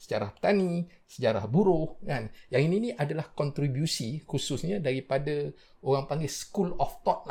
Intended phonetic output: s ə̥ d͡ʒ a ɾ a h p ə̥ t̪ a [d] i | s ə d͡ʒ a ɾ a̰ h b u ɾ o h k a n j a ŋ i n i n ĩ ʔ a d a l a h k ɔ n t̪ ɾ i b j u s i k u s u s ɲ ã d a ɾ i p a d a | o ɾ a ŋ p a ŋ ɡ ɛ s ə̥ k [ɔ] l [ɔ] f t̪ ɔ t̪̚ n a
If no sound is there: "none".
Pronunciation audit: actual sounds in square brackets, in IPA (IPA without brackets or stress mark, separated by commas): n, u, ɔ